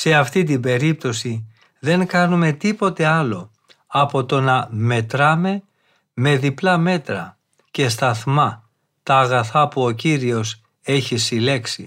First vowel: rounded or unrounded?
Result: unrounded